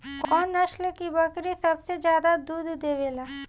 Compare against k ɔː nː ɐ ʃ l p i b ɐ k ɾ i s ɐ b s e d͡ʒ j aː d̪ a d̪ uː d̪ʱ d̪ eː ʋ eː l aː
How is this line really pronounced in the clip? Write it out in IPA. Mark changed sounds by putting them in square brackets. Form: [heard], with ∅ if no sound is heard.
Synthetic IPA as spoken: k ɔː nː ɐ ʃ l [k] i b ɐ k ɾ i s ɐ b s e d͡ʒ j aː d̪ a d̪ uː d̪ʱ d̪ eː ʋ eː l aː